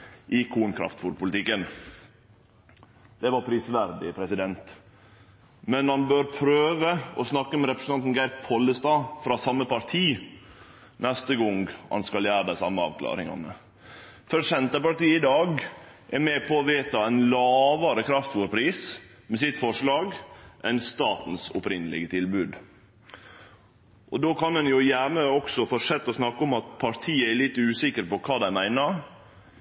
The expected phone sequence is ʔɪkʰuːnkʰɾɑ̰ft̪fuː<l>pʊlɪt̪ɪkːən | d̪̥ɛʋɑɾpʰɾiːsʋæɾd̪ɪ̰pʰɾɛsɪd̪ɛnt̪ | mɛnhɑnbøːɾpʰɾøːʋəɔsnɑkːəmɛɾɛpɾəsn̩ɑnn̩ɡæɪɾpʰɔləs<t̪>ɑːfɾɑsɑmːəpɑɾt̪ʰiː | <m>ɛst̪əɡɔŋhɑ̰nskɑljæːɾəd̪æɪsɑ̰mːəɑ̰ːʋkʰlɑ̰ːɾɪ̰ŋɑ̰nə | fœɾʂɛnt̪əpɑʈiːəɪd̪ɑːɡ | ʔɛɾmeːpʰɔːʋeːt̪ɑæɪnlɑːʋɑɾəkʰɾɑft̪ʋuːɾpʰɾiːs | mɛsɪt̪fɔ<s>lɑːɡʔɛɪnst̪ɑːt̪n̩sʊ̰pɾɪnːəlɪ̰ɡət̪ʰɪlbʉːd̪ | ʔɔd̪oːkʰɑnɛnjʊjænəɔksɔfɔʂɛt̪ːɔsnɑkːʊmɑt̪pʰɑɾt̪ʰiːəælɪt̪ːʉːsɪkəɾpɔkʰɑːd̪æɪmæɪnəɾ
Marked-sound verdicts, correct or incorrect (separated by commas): incorrect, correct, incorrect, incorrect